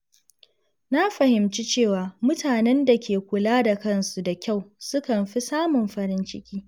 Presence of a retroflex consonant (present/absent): absent